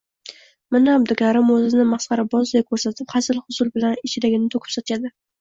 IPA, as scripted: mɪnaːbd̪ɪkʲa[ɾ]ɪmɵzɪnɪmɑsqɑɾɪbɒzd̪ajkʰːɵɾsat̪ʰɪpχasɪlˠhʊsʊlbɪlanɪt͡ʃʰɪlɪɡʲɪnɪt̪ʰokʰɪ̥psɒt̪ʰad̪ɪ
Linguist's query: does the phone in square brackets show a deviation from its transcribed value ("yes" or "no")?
no